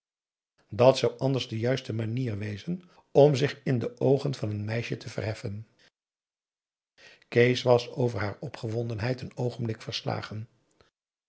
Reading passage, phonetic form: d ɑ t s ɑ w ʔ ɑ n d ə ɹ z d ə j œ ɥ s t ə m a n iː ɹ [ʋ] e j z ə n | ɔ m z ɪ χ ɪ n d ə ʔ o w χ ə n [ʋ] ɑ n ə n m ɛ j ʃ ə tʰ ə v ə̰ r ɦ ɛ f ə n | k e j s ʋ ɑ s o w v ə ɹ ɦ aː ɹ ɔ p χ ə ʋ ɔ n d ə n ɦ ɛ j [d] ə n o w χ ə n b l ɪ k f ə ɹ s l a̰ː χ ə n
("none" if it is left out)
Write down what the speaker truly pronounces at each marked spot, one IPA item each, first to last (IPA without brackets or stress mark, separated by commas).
ʋ, v, t